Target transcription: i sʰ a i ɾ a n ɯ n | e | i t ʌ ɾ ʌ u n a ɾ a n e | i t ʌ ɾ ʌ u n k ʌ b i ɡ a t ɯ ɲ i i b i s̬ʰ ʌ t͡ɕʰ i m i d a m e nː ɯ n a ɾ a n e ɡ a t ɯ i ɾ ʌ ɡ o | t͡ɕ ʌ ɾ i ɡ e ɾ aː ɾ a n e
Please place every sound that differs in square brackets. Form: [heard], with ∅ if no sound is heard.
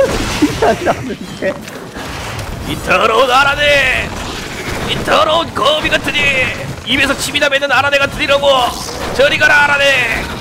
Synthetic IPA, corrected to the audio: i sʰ a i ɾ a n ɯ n | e | i t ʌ ɾ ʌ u n a ɾ a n e | i t ʌ ɾ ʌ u n k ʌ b i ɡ a t ɯ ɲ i i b [e] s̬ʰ ʌ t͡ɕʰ i m i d a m e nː ɯ n a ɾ a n e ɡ a t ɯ i ɾ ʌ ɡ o | t͡ɕ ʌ ɾ i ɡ [a] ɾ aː ɾ a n e

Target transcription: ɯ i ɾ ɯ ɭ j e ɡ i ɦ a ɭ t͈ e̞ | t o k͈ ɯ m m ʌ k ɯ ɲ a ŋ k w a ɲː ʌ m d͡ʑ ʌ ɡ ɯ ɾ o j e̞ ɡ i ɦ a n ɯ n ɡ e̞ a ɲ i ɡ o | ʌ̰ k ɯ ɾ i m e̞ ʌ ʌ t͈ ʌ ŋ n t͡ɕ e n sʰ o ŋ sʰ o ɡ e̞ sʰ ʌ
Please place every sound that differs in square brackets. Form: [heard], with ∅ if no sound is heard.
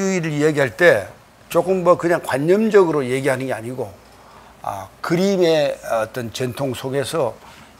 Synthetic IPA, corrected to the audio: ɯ i ɾ ɯ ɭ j e ɡ i ɦ a ɭ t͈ e̞ | [t͡ɕ] o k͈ ɯ m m ʌ k ɯ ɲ a ŋ k w a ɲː ʌ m d͡ʑ ʌ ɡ ɯ ɾ o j e̞ ɡ i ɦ a n ɯ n ɡ e̞ a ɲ i ɡ o | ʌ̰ k ɯ ɾ i m e̞ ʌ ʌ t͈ ʌ [∅] n t͡ɕ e n [tʰ] o ŋ sʰ o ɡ e̞ sʰ ʌ

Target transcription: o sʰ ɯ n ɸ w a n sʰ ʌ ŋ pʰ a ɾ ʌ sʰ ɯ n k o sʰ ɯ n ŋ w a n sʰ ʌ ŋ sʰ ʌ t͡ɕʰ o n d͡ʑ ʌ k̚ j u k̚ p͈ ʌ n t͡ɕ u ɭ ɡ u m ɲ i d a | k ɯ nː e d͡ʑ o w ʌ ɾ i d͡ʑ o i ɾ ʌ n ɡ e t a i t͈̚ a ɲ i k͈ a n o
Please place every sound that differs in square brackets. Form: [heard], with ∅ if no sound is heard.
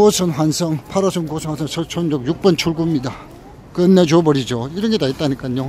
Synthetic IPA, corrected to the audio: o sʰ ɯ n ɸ w a n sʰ ʌ ŋ pʰ a ɾ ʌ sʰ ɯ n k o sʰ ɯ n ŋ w a n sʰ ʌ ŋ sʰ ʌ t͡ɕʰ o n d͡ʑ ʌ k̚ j u k̚ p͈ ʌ n [t͡ɕʰ] u ɭ ɡ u m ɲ i d a | k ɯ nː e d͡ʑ o [b] ʌ ɾ i d͡ʑ o i ɾ ʌ n ɡ e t a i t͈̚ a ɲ i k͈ a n o

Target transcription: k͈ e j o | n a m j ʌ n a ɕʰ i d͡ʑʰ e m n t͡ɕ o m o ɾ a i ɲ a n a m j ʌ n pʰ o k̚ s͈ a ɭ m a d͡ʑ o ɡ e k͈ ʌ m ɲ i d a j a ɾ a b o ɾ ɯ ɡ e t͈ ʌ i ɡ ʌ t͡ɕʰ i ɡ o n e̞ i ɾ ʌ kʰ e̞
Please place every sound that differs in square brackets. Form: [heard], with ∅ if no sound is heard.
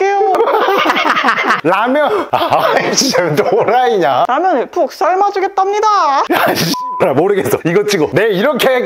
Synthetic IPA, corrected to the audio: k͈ e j o | n a m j ʌ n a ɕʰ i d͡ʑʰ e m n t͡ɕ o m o ɾ a i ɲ a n a m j ʌ n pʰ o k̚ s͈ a ɭ m a d͡ʑ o ɡ e [t͈] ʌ m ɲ i d a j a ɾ a [m] o ɾ ɯ ɡ e [s͈] ʌ i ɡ ʌ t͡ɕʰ i ɡ o n e̞ i ɾ ʌ kʰ e̞

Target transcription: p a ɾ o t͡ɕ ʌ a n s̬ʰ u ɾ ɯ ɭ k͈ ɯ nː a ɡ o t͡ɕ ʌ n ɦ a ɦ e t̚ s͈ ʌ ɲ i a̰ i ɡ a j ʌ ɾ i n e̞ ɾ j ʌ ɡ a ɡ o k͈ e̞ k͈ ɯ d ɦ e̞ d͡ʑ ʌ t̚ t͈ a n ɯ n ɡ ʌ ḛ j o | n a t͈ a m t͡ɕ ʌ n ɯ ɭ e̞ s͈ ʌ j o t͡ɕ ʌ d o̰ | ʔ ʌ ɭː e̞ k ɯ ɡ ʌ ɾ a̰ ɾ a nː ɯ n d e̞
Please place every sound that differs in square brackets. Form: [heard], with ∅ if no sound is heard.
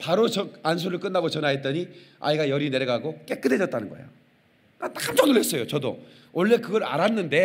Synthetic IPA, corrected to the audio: p a ɾ o t͡ɕ ʌ a n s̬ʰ u ɾ ɯ ɭ k͈ ɯ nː a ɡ o t͡ɕ ʌ n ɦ a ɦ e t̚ [t͈] ʌ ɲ i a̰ i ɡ a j ʌ ɾ i n e̞ ɾ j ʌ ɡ a ɡ o k͈ e̞ k͈ ɯ d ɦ e̞ d͡ʑ ʌ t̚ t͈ a n ɯ n ɡ ʌ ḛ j o | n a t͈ a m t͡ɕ ʌ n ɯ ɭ e̞ s͈ ʌ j o t͡ɕ ʌ d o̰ | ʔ ʌ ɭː e̞ k ɯ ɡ ʌ ɾ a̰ ɾ a nː ɯ n d e̞

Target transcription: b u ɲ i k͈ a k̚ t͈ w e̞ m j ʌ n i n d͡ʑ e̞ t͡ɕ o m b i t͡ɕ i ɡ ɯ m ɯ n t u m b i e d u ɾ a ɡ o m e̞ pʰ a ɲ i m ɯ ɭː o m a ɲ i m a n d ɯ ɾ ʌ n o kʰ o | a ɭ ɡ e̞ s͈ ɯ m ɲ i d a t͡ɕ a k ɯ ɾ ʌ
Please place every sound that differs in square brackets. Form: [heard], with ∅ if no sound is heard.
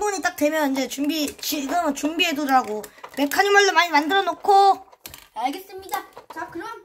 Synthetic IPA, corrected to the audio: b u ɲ i [t͈] a k̚ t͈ w e̞ m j ʌ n i n d͡ʑ e̞ t͡ɕ [u] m b i t͡ɕ i ɡ ɯ m ɯ n [t͡ɕ] u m b i e d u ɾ a ɡ o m e̞ [kʰ] a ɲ i m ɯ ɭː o m a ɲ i m a n d ɯ ɾ ʌ n o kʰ o | a ɭ ɡ e̞ s͈ ɯ m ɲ i d a t͡ɕ a k ɯ ɾ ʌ

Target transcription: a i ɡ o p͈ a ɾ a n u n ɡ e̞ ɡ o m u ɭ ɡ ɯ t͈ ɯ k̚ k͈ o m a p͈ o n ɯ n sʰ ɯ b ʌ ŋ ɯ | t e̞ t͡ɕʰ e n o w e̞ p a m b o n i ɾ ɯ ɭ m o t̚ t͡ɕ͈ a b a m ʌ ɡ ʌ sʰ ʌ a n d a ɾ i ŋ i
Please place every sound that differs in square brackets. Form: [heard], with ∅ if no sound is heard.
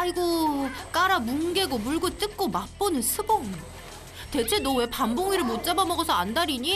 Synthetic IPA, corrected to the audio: a i ɡ o [k͈] a ɾ a [m] u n ɡ e̞ ɡ o m u ɭ ɡ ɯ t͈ ɯ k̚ k͈ o m a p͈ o n ɯ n sʰ ɯ b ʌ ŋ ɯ | t e̞ t͡ɕʰ e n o w e̞ p a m b o [ŋ] i ɾ ɯ ɭ m o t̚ t͡ɕ͈ a b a m ʌ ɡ ʌ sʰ ʌ a n d a ɾ i [ɲ] i

